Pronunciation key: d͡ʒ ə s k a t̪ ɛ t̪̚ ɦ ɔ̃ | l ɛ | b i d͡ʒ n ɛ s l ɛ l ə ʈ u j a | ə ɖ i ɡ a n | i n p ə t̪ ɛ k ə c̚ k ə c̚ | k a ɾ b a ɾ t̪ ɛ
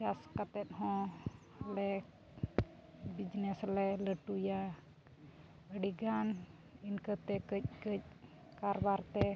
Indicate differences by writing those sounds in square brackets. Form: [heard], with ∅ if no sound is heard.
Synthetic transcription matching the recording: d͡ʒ [a] s k a t̪ ɛ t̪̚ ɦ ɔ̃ | l ɛ | b i d͡ʒ n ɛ s l ɛ l ə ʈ u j a | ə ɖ i ɡ a n | i n [k] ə t̪ ɛ k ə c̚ k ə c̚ | k a ɾ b a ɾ t̪ ɛ